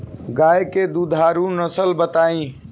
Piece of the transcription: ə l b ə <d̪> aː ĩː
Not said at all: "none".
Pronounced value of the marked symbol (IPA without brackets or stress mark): t̪